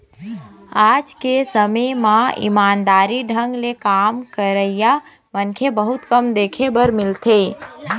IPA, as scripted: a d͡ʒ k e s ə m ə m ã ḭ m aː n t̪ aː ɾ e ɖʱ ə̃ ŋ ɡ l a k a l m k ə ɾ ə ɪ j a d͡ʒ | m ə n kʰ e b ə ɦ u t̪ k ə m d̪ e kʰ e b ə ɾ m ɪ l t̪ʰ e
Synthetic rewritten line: a d͡ʒ k e s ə m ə m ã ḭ m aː n d̪ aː ɾ i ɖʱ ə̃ ŋ ɡ l e k a m k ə ɾ ə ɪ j a | m ə n kʰ e b ə ɦ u t̪ k ə m d̪ e kʰ e b ə ɾ m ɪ l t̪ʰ e